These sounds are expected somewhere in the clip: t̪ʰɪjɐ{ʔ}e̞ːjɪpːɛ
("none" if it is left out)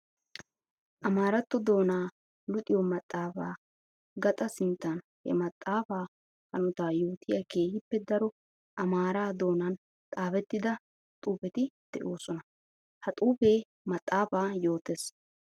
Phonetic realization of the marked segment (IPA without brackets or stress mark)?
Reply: k